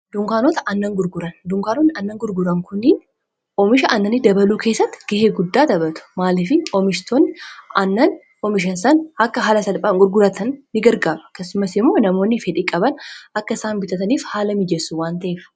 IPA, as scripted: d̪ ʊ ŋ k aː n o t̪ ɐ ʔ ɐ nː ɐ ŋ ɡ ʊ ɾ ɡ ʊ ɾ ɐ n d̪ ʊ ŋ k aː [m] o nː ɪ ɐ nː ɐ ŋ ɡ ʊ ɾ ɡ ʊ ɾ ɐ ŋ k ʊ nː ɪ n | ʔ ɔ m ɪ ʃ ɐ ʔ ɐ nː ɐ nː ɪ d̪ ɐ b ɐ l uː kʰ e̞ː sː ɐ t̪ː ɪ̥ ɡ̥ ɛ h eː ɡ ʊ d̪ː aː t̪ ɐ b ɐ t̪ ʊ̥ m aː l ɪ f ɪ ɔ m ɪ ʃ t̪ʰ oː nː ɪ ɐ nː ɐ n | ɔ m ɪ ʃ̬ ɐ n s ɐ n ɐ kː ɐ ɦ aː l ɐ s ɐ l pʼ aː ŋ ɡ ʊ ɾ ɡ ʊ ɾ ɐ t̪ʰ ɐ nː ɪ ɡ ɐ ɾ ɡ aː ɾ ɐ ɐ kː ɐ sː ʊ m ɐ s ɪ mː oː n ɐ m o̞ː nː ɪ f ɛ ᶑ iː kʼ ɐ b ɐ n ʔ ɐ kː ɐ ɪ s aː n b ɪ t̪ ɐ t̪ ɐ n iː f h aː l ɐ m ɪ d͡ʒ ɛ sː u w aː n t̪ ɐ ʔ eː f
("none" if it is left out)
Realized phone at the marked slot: n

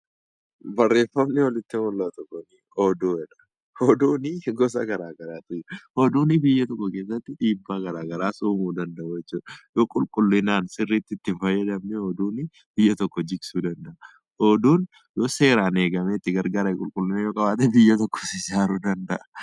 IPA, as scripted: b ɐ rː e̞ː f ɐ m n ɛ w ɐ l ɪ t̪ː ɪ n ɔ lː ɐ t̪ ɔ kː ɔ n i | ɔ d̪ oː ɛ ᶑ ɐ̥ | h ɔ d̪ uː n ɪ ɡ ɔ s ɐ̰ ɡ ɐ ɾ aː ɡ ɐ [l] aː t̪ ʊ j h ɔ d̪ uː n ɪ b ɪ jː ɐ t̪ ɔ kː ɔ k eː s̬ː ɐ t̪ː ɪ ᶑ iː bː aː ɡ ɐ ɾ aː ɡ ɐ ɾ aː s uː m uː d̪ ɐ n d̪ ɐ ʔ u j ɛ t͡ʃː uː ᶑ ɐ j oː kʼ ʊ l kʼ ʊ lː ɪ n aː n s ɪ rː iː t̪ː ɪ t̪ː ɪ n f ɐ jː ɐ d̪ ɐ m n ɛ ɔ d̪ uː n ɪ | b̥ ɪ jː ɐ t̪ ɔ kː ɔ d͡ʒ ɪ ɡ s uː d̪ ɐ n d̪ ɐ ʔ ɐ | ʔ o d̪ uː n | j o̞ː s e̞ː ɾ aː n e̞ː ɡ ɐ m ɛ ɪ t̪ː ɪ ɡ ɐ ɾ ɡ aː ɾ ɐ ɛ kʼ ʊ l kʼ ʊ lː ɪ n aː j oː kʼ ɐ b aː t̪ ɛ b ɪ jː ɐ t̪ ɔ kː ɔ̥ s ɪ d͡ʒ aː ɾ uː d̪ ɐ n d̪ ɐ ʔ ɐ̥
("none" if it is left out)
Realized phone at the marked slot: ɾ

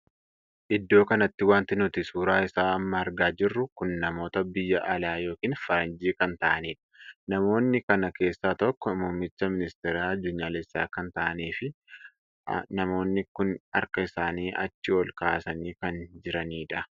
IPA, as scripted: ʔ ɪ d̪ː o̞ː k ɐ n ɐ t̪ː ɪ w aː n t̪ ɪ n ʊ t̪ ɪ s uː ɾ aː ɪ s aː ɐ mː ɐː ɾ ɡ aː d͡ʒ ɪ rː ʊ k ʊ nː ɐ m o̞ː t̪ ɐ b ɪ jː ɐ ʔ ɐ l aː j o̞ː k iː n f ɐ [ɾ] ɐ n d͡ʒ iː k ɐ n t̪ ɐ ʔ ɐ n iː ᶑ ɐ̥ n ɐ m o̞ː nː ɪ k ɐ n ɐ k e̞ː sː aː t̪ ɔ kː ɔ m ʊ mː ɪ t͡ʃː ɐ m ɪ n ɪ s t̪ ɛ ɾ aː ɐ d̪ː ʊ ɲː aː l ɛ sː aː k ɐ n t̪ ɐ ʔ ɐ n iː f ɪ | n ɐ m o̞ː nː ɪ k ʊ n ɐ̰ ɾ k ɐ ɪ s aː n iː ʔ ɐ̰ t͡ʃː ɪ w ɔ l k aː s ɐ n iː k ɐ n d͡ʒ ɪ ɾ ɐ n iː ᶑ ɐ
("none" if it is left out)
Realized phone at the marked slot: ɾ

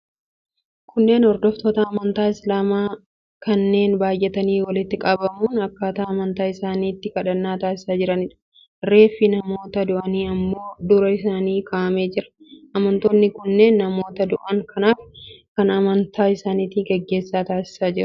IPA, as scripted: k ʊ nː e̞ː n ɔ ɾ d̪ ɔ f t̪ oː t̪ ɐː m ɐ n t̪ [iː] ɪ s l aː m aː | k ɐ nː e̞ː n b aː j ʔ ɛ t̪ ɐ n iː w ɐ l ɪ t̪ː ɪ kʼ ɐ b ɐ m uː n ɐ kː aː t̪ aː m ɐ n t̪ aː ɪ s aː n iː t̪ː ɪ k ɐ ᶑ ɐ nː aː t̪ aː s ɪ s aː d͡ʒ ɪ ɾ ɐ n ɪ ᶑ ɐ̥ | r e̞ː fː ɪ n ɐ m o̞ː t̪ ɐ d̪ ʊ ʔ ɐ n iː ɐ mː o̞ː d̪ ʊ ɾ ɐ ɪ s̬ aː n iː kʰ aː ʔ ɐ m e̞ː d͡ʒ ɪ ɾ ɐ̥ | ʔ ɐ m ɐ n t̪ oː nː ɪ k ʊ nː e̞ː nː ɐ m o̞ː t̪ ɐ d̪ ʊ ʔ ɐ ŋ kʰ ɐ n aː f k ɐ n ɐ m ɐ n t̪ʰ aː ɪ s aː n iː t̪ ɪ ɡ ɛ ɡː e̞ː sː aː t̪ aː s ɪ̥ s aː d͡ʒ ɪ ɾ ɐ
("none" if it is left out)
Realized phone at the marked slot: aː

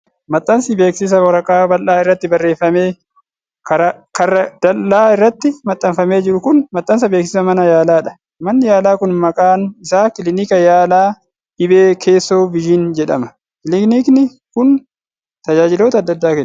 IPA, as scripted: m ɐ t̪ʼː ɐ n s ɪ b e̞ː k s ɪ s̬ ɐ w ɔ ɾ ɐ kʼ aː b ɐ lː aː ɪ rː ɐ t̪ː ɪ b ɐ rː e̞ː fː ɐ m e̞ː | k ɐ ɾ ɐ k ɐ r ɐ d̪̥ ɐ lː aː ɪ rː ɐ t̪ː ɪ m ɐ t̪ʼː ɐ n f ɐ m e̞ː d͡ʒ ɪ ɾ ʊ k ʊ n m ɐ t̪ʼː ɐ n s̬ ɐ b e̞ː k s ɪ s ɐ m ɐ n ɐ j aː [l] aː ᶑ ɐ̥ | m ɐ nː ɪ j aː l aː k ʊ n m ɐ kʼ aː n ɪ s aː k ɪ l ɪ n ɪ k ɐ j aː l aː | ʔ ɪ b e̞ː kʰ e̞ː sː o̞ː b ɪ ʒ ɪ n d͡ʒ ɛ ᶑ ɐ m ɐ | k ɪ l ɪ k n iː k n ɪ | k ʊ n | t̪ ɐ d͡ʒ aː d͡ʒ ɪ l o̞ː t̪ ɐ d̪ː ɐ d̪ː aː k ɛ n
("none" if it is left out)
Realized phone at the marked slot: l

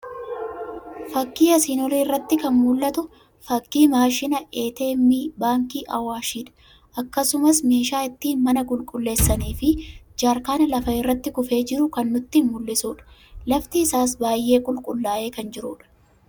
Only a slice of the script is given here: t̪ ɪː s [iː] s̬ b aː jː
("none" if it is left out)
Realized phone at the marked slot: aː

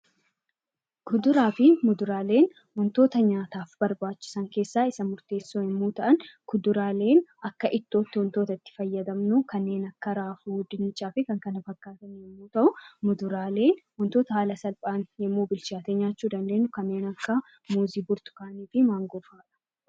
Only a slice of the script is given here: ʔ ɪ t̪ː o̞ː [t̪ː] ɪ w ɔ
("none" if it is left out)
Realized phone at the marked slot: t̪ː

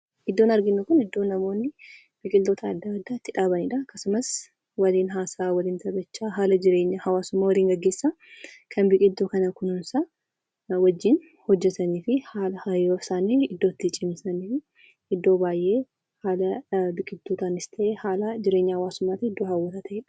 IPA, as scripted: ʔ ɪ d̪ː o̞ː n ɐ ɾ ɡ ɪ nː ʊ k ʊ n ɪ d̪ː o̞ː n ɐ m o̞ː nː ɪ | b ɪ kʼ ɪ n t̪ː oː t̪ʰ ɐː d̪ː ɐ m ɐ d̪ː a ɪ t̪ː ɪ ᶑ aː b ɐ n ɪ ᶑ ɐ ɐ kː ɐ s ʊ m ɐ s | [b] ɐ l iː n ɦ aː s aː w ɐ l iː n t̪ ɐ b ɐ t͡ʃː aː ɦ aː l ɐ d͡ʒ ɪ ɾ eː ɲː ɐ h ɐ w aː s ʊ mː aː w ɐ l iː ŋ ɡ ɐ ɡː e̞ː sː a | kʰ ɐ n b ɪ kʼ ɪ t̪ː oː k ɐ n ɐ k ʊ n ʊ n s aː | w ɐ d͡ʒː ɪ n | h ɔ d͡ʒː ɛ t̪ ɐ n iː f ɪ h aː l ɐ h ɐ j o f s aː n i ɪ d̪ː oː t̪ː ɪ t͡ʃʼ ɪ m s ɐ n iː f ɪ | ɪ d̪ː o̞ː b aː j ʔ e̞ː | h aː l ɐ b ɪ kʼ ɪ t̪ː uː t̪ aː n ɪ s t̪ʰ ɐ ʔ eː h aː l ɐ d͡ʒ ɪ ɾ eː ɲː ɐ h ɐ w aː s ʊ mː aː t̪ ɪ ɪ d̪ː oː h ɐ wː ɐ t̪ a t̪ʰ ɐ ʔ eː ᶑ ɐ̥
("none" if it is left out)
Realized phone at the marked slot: w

